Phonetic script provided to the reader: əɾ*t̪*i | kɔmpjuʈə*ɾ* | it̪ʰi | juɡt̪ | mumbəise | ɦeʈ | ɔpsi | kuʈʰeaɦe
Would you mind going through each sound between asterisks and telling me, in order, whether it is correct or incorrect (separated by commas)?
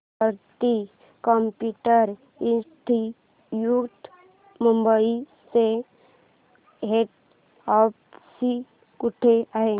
correct, correct